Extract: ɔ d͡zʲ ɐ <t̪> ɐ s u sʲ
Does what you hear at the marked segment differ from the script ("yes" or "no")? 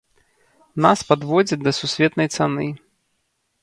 yes